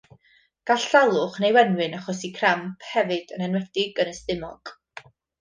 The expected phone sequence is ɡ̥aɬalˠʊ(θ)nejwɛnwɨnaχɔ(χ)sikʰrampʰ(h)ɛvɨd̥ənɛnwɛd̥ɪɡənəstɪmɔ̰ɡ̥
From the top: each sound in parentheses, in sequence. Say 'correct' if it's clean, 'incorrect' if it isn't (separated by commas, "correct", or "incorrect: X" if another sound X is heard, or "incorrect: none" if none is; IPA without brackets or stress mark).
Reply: incorrect: χ, incorrect: none, correct